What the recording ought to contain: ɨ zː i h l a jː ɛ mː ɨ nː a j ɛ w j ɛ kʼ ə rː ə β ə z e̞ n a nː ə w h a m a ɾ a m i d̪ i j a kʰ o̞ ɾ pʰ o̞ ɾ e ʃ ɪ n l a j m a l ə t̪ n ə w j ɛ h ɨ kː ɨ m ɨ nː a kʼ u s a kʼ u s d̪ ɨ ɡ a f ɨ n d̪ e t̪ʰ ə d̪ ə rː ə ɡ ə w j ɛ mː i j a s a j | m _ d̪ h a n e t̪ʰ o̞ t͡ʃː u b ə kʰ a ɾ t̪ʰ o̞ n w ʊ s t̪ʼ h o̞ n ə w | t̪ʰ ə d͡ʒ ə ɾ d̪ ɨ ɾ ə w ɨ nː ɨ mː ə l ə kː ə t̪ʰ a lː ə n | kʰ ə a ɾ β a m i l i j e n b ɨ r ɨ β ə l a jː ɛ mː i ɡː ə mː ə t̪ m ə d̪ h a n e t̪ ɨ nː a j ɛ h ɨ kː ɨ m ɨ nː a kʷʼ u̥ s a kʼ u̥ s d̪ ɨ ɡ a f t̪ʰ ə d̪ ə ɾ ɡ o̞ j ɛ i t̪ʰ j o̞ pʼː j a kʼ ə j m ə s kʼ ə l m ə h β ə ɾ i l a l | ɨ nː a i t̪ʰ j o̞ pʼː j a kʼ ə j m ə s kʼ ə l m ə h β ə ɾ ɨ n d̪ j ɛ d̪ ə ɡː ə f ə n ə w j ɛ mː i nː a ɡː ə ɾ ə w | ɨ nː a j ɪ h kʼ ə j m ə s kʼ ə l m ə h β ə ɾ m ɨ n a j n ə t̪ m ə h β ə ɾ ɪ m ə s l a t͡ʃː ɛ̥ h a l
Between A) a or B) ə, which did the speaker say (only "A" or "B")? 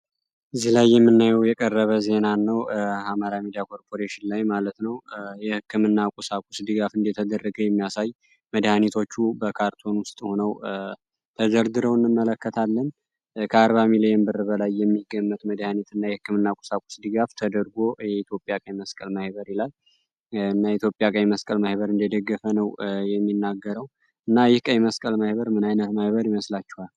B